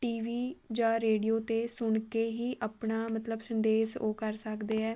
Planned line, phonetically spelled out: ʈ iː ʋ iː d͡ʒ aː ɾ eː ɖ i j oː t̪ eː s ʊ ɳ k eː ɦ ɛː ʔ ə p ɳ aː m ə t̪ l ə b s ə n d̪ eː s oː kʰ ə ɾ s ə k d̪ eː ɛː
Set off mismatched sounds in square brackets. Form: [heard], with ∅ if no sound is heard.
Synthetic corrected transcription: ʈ iː ʋ iː d͡ʒ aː ɾ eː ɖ i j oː t̪ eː s ʊ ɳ k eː ɦ [iː] ʔ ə p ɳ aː m ə t̪ l ə b s ə n d̪ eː s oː [k] ə ɾ s ə k d̪ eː ɛː